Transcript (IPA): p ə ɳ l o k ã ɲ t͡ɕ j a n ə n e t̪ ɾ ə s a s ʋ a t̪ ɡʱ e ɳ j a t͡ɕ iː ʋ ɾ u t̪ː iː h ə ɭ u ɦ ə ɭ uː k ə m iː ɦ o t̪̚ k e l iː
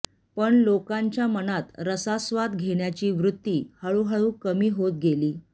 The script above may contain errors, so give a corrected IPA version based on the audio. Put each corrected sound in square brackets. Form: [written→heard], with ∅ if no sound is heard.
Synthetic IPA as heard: p ə ɳ l o k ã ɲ t͡ɕ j a [n→m] ə n [e→a] t̪ ɾ ə s a s ʋ a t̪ ɡʱ e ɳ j a t͡ɕ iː ʋ ɾ u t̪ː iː h ə ɭ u ɦ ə ɭ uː k ə m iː ɦ o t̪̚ [k→ɡ] e l iː